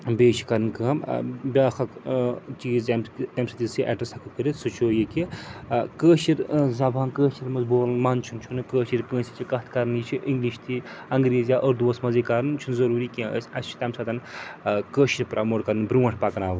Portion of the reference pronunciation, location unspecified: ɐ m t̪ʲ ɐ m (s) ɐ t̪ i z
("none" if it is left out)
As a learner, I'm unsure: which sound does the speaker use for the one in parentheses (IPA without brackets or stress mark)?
s